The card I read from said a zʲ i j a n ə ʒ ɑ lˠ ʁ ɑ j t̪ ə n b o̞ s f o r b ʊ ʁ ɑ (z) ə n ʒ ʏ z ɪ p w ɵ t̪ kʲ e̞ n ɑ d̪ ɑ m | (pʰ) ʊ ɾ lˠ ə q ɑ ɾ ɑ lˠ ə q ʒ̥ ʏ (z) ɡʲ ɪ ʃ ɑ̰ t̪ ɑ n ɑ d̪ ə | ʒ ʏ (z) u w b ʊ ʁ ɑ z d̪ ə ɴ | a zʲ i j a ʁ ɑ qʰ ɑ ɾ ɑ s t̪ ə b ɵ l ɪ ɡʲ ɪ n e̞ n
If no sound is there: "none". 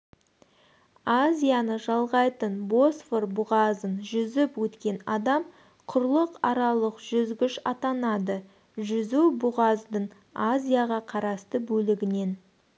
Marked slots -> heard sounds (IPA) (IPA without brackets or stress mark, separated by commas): z, qʰ, z, z